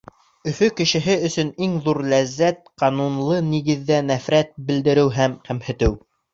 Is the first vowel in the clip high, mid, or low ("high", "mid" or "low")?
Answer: mid